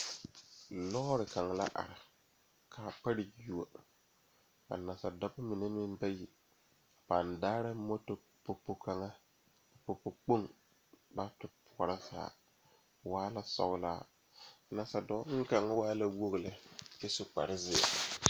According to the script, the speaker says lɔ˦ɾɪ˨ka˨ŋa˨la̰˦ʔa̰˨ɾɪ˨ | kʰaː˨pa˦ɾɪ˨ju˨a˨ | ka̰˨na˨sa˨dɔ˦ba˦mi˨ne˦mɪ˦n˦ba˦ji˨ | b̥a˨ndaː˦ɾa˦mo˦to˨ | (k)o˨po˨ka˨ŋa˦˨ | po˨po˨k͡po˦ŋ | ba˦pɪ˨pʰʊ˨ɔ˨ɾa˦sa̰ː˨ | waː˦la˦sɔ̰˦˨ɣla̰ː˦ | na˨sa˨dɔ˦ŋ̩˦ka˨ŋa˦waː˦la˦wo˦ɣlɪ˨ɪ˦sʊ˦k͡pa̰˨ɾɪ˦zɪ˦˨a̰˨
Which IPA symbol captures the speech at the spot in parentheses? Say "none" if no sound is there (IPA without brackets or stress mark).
p